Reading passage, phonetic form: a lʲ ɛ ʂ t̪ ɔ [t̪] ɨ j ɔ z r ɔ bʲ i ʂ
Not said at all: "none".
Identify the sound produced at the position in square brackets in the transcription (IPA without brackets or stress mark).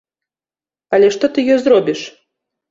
t̪